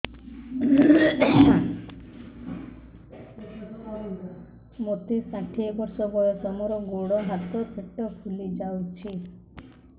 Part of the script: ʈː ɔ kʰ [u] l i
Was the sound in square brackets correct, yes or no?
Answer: yes